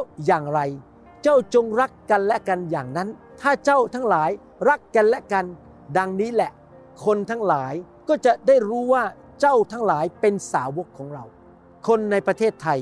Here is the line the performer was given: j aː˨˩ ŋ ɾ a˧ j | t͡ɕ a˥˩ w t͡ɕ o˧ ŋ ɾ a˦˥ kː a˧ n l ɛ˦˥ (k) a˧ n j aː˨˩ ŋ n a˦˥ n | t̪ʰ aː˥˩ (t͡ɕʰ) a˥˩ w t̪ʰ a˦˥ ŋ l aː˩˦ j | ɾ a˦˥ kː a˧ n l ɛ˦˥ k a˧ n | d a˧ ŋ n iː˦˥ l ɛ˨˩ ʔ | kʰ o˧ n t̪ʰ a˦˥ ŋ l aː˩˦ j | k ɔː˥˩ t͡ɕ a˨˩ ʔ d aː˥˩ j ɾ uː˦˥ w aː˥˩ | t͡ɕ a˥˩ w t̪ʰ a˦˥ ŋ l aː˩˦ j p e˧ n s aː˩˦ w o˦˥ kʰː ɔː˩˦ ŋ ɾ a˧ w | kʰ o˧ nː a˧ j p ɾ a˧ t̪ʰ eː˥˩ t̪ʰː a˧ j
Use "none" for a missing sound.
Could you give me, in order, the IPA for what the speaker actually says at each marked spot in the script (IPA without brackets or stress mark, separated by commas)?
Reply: k, t͡ɕ